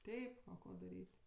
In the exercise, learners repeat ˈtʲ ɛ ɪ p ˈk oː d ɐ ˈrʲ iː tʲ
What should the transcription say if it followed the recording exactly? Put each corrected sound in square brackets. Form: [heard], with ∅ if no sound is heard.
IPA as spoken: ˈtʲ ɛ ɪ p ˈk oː d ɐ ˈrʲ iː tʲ

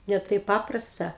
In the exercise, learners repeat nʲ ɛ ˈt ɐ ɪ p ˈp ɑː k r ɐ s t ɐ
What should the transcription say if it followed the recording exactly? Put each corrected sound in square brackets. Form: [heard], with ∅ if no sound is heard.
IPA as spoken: nʲ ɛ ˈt ɐ ɪ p ˈp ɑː [p] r ɐ s t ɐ

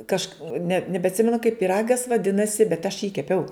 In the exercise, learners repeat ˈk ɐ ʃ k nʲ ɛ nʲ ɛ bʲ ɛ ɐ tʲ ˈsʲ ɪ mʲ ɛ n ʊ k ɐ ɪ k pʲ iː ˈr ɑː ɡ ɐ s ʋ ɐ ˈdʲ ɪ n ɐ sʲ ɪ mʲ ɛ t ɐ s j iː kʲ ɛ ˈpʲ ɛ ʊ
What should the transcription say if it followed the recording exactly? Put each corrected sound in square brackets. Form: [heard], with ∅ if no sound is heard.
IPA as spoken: ˈk ɐ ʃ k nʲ ɛ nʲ ɛ bʲ ɛ ɐ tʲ ˈsʲ ɪ mʲ ɛ n ʊ k ɐ ɪ [p] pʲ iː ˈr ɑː ɡ ɐ s ʋ ɐ ˈdʲ ɪ n ɐ sʲ ɪ [bʲ] ɛ t ɐ [ʃ] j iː kʲ ɛ ˈpʲ ɛ ʊ

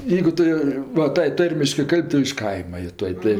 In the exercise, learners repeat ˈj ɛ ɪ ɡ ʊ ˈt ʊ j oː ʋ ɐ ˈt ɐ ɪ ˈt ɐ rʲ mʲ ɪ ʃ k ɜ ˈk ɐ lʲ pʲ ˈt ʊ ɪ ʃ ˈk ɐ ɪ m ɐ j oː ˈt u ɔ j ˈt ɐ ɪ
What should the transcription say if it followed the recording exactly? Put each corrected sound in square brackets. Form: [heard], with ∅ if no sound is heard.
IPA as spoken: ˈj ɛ ɪ ɡ ʊ ˈt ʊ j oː ʋ ɐ ˈt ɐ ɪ ˈt ɐ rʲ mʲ ɪ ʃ k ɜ ˈk ɐ lʲ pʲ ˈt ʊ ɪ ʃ ˈk ɐ ɪ m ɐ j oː ˈt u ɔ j ˈt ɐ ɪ

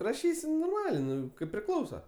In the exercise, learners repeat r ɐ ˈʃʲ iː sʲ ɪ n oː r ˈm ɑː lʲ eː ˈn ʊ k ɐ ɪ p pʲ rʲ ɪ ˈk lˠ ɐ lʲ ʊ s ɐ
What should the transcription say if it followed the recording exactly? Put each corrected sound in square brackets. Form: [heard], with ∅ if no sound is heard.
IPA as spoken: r ɐ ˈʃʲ iː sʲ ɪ n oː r ˈm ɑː lʲ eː ˈn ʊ k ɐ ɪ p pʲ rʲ ɪ ˈk lˠ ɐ [∅] ʊ s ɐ

